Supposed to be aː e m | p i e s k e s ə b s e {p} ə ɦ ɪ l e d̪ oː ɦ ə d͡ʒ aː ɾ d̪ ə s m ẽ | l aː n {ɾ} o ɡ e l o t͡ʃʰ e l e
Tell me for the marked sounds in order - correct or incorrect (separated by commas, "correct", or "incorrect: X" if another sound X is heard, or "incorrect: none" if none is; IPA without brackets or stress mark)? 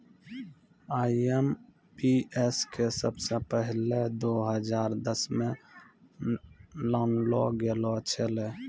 correct, incorrect: l